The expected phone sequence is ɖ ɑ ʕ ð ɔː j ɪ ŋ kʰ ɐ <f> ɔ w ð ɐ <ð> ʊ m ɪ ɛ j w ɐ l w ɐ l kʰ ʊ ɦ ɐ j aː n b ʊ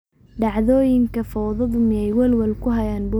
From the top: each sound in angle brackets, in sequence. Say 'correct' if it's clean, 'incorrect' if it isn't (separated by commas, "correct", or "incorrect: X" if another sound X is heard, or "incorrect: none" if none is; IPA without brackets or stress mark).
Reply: correct, correct